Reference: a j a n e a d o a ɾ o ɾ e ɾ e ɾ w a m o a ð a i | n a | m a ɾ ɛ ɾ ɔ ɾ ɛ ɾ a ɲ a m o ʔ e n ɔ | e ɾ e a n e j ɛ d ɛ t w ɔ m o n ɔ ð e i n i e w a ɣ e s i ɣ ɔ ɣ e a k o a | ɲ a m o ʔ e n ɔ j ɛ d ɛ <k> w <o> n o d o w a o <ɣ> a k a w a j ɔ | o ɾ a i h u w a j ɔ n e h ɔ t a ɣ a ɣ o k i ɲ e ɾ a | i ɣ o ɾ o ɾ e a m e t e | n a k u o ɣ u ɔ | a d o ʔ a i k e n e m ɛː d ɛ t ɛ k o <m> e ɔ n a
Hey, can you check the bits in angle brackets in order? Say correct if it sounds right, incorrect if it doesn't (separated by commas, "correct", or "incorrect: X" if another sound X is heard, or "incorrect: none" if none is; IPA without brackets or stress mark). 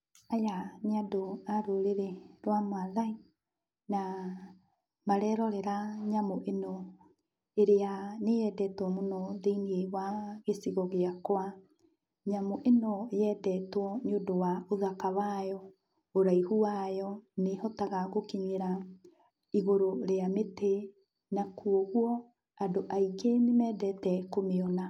incorrect: t, incorrect: ɔ, incorrect: ð, correct